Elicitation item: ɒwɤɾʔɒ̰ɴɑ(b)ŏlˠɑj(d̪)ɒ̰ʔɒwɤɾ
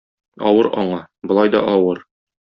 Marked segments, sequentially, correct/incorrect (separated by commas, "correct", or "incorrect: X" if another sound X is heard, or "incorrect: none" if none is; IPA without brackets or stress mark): correct, correct